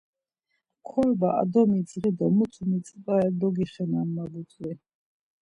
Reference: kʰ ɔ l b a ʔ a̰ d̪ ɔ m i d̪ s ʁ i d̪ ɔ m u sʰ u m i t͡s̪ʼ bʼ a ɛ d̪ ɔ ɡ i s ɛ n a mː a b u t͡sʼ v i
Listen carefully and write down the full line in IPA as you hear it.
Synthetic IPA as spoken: kʰ ɔ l b a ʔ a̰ d̪ ɔ m i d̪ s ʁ i d̪ ɔ m u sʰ u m i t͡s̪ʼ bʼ a ɛ d̪ ɔ ɡ i χ ɛ n a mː a b u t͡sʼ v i